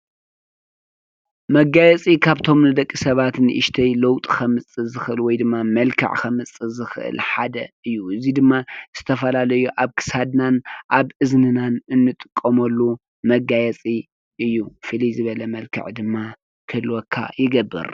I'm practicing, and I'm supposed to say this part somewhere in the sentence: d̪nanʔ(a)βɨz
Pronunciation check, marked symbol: correct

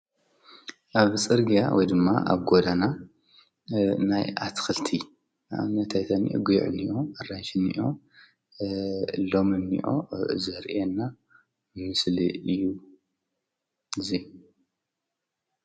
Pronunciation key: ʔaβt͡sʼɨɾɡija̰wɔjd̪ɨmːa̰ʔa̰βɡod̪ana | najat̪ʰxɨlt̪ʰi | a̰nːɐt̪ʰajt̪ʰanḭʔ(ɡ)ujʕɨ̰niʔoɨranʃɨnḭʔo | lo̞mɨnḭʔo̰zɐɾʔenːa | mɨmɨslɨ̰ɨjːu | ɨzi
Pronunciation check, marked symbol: correct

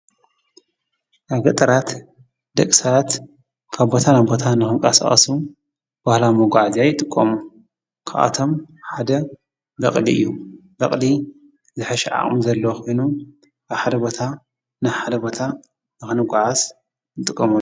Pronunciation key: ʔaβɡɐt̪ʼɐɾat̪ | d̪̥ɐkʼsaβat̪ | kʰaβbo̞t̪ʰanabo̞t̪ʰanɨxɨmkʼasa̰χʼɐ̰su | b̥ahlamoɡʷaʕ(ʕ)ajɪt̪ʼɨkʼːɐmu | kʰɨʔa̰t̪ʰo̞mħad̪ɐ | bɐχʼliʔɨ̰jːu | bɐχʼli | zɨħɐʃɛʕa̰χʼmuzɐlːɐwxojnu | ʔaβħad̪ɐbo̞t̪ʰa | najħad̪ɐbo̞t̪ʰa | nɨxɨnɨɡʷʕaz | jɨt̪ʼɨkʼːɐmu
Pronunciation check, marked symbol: incorrect: z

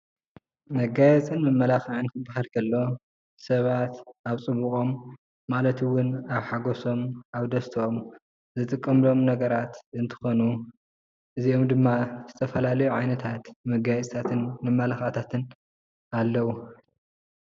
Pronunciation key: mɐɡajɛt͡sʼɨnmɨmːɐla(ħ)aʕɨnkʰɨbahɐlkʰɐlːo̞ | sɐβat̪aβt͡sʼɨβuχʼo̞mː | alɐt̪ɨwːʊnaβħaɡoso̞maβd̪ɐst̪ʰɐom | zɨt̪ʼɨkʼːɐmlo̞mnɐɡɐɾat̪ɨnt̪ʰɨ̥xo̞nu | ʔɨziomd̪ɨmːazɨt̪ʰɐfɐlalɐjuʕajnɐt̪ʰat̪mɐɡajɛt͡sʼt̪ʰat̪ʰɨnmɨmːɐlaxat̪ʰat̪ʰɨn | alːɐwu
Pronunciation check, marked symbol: incorrect: x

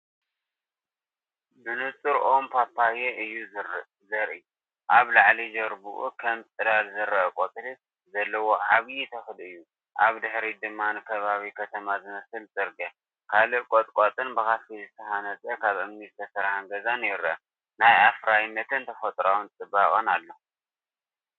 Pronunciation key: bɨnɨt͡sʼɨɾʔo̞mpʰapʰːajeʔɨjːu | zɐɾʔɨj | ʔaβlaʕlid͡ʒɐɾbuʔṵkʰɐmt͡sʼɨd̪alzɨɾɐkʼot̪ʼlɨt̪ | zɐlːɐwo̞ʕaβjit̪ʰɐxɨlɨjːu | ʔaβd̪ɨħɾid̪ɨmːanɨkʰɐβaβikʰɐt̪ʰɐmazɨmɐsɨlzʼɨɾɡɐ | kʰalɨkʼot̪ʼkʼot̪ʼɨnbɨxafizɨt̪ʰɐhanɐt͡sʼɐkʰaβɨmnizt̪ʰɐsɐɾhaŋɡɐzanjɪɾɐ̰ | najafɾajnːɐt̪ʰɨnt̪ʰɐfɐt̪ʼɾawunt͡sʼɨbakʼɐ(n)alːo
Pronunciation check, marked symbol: correct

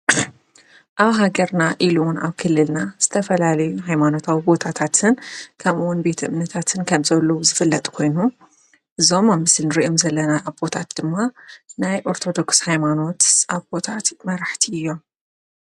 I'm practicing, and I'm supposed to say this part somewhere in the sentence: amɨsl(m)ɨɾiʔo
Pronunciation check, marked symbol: incorrect: n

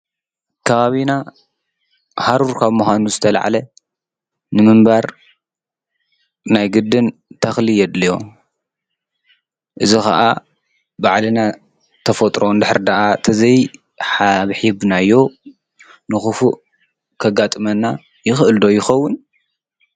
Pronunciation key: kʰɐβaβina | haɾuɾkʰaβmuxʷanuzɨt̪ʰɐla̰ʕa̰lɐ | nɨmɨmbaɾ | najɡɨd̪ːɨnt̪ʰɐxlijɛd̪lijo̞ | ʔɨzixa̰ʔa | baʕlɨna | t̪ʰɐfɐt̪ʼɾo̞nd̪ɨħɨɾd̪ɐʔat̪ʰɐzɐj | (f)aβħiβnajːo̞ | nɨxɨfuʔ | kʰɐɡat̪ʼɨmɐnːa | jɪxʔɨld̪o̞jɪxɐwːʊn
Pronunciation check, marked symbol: incorrect: ħ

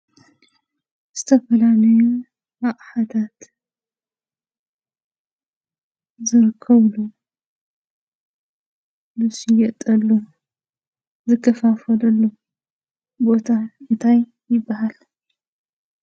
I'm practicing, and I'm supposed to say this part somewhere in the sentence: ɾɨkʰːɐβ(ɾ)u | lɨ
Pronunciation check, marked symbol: incorrect: l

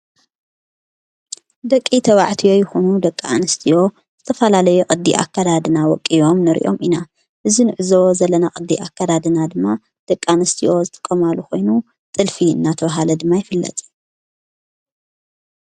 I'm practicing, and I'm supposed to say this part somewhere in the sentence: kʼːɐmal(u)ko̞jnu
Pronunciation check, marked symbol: correct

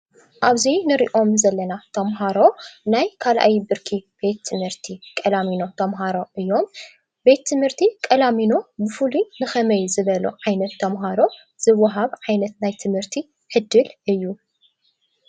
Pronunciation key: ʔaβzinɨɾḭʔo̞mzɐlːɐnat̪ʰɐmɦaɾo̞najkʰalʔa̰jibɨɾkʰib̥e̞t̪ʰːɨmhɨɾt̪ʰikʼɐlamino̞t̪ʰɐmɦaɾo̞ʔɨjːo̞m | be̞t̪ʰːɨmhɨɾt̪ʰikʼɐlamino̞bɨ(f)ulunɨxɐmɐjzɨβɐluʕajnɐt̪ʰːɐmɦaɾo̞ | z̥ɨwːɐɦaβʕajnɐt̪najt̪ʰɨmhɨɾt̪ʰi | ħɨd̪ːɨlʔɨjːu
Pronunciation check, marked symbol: correct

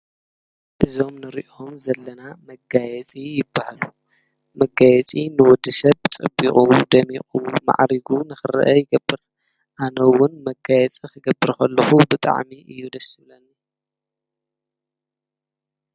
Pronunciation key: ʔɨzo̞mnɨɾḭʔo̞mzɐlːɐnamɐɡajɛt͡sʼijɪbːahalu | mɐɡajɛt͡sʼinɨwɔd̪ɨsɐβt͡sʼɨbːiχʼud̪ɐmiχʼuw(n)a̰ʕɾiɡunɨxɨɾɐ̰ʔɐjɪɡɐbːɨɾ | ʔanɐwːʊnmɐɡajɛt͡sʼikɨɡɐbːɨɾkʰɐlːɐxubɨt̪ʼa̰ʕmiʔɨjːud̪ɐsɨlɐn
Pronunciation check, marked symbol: incorrect: m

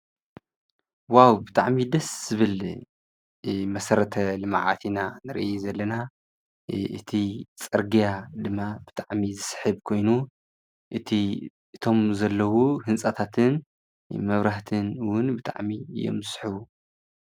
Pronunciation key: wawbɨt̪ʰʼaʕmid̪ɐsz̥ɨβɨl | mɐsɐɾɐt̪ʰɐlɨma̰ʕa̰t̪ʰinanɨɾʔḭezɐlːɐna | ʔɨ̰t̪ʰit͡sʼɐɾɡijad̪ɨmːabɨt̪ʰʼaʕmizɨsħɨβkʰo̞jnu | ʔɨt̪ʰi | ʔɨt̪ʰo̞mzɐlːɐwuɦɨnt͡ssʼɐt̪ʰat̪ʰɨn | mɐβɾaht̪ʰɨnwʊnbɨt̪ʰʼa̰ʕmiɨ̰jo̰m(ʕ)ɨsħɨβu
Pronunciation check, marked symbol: incorrect: z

